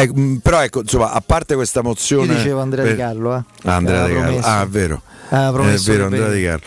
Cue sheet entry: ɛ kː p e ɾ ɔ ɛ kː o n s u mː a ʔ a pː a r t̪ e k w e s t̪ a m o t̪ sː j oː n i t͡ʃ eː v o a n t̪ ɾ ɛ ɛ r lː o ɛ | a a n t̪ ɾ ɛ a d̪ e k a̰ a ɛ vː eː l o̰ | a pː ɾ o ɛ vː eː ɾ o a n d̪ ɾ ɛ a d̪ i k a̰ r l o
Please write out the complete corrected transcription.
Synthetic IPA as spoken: ɛ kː p e ɾ ɔ ɛ kː o n s o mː a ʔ a pː a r t̪ e k w e s t̪ a m o t̪ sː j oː n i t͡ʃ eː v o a n d̪ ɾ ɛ a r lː o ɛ | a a n d̪ ɾ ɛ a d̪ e k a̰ a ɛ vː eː ɾ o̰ | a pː ɾ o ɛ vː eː ɾ o a n d̪ ɾ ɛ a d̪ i k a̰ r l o